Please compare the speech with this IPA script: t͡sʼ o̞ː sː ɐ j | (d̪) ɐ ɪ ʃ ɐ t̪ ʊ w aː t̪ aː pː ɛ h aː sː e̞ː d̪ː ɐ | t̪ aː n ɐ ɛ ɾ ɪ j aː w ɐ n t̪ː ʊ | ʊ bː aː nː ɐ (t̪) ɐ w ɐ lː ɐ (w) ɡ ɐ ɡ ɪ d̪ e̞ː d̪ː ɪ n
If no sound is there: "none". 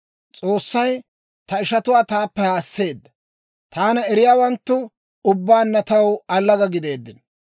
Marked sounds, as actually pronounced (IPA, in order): t̪, t̪, none

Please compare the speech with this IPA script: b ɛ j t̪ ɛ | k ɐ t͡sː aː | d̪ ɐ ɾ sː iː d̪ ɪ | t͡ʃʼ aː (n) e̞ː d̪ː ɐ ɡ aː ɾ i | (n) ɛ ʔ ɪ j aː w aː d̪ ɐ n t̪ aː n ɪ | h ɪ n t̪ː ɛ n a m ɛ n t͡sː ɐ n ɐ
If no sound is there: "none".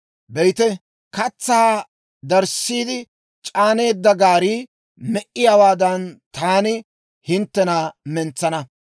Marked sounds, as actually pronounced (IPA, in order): n, m

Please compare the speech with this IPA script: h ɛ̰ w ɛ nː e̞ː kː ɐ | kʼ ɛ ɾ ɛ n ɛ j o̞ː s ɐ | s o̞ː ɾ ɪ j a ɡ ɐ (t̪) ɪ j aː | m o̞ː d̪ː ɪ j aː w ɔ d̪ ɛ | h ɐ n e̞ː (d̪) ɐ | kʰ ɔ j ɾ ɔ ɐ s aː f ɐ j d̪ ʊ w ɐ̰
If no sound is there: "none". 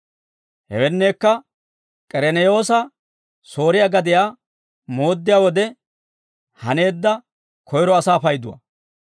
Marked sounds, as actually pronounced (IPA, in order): d̪, d̪ː

